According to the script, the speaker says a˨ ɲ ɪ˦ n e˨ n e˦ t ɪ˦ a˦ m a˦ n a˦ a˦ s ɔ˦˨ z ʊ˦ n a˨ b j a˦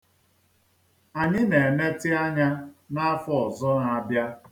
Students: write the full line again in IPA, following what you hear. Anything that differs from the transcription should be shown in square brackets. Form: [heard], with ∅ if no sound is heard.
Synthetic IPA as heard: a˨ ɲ ɪ˦ n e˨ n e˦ t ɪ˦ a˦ [ɲ] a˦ n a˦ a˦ [f] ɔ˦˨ z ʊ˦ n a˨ b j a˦